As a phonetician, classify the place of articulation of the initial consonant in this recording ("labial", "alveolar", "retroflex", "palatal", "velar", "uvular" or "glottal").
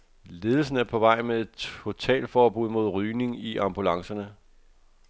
alveolar